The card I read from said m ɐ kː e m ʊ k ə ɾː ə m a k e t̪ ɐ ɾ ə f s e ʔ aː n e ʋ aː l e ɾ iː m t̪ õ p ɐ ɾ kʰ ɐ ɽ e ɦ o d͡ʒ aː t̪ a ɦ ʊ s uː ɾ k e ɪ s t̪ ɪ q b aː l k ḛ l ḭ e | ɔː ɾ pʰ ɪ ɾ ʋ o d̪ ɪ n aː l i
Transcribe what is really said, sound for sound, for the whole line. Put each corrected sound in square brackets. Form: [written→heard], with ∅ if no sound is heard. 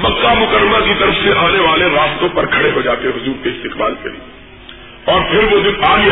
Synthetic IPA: m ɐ kː [e→a] m ʊ k ə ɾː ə m a k [e→i] t̪ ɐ ɾ ə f s e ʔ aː n e ʋ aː l e ɾ [iː→aː] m t̪ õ p ɐ ɾ kʰ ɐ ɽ e ɦ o d͡ʒ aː t̪ [a→e] ɦ ʊ [s→z] uː ɾ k e ɪ s t̪ ɪ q b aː l k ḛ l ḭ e | ɔː ɾ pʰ ɪ ɾ ʋ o d̪ ɪ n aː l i